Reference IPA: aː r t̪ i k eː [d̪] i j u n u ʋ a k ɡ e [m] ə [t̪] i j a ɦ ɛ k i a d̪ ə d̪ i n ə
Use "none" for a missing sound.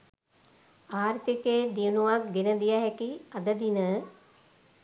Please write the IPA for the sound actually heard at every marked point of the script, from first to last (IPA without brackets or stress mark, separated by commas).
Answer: d̪, n, d̪